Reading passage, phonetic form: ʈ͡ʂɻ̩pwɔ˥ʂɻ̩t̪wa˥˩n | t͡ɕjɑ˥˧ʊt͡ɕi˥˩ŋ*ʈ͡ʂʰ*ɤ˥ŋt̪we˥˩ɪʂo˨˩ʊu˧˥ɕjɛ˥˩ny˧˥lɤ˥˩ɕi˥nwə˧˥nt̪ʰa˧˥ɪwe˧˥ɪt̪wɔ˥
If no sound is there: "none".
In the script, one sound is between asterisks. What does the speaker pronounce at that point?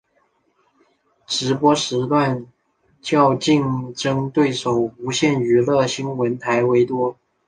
ʈ͡ʂ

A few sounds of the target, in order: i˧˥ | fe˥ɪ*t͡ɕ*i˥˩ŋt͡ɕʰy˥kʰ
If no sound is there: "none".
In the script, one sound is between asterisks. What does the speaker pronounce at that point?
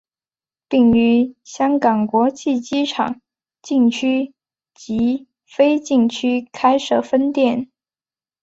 t͡ɕ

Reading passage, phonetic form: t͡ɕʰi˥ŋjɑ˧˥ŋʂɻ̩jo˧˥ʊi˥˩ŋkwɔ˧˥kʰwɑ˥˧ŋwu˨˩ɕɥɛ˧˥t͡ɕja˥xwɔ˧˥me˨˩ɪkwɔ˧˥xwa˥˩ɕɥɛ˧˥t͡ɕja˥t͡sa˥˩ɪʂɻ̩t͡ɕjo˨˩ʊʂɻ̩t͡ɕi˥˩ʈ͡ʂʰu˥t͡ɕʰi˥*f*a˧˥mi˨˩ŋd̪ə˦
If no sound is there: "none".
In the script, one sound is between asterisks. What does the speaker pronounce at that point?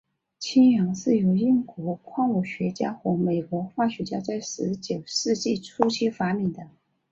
f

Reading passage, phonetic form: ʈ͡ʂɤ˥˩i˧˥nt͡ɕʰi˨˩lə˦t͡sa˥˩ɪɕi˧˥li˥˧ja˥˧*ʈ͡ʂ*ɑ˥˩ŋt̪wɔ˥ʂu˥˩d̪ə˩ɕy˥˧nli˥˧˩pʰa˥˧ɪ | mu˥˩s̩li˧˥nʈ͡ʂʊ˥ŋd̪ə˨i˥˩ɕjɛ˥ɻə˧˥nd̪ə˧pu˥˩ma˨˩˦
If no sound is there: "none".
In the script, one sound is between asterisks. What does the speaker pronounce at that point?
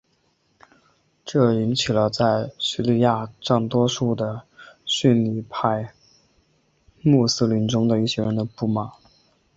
ʈ͡ʂ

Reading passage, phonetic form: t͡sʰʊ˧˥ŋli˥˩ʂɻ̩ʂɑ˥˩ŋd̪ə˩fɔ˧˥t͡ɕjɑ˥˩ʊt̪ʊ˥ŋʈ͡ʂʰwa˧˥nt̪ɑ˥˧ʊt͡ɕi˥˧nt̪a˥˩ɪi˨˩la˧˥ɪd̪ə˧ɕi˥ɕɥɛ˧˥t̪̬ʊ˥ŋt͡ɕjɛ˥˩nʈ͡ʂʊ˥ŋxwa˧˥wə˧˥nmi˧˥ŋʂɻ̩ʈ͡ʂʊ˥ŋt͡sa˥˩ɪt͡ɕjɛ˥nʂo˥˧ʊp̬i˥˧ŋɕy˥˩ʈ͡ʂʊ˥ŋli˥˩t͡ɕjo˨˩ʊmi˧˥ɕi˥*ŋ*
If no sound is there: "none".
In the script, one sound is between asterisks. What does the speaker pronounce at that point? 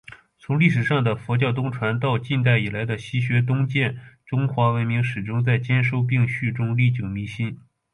n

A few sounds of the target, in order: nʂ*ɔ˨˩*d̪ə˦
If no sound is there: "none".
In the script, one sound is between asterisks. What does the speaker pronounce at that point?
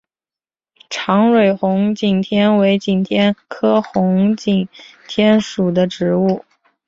u˨˩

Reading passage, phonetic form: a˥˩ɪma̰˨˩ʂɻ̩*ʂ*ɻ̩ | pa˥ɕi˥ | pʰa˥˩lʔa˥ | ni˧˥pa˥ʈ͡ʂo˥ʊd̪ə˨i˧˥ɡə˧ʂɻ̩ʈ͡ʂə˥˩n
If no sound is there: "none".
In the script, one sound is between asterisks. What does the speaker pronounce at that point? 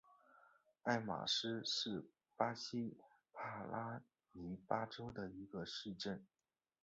ʂ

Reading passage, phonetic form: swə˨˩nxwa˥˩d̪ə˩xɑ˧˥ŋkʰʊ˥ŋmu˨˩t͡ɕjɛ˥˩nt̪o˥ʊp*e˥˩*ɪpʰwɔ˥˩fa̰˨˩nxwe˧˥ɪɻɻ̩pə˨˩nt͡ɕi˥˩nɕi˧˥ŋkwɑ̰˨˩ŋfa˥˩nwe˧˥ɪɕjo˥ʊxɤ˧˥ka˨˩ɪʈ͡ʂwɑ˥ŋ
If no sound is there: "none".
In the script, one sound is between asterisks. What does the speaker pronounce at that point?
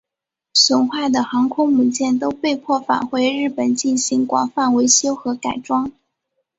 e˥˧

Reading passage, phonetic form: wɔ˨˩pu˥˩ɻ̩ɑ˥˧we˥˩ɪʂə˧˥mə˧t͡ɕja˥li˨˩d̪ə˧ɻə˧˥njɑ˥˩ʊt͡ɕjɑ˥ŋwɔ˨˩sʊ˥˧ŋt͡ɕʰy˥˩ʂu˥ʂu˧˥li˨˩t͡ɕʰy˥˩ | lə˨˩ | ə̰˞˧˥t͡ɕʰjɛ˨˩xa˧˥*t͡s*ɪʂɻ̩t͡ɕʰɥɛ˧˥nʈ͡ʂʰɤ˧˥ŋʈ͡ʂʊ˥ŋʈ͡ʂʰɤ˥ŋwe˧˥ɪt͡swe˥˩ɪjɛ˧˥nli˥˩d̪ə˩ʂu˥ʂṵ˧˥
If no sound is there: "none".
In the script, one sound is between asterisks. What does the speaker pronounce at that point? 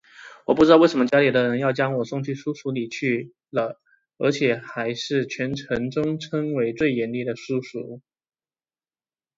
none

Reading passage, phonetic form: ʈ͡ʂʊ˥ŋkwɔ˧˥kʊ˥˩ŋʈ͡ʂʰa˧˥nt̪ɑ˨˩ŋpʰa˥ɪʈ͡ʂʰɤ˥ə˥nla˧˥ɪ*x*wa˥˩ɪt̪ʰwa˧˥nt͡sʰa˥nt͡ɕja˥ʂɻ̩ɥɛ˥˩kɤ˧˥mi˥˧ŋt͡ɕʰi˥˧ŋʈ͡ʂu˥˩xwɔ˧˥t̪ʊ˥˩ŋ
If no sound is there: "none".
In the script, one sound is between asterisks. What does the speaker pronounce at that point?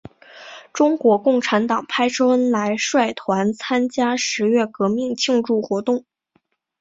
ʂ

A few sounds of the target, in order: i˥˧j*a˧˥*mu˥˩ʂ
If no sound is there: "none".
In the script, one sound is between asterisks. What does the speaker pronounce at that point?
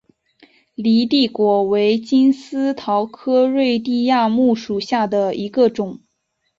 a˥˧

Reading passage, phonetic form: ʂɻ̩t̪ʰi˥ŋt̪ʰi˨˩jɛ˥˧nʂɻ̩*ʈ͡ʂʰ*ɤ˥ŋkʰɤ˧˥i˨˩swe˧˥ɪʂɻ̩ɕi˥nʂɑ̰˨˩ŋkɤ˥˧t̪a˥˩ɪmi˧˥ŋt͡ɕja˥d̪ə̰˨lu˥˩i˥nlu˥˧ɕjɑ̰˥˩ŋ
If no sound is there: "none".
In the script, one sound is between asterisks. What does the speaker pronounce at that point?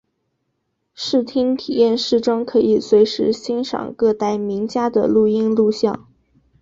ʈ͡ʂ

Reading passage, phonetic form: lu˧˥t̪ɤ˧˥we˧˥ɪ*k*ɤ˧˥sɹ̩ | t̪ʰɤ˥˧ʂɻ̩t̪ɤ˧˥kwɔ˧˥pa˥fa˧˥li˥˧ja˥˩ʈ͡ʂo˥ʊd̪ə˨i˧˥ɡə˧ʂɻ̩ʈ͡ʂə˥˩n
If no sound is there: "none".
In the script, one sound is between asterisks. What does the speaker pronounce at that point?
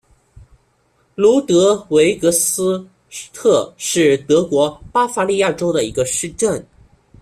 k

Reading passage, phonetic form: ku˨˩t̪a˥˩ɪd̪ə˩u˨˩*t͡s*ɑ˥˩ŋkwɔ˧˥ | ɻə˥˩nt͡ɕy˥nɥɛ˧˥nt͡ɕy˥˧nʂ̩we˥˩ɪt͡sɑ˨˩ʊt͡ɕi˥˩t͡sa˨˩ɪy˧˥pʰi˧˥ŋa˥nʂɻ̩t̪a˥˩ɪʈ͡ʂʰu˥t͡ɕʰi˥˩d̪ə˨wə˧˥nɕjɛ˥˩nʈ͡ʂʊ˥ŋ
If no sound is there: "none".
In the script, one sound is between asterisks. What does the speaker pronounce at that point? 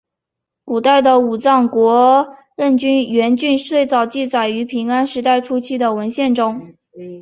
t͡s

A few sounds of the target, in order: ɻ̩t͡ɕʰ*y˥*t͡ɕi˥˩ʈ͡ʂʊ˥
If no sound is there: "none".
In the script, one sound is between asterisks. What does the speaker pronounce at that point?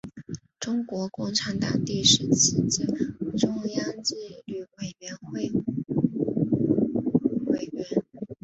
i˥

